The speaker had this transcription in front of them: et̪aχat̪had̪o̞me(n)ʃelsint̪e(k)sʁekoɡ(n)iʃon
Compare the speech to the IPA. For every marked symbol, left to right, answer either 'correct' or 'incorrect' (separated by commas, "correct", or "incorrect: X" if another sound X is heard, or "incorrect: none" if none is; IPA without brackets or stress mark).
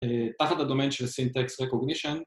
correct, correct, correct